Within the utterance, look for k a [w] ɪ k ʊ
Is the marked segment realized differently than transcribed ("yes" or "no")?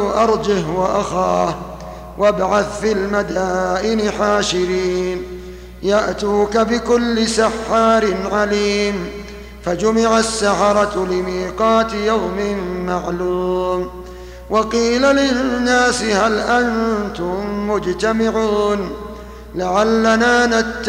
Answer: yes